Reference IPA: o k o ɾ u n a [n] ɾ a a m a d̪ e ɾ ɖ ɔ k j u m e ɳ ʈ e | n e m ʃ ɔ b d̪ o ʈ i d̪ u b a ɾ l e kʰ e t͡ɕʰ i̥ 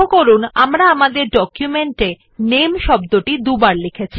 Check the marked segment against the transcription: incorrect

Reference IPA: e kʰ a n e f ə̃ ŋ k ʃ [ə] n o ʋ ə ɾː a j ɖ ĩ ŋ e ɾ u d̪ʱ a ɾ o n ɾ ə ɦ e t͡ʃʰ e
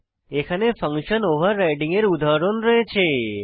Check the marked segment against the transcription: correct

